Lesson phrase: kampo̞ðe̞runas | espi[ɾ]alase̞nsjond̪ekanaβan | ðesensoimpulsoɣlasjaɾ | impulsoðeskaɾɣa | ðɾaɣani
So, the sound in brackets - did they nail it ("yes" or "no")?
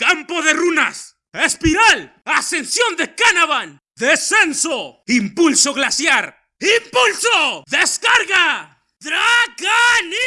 yes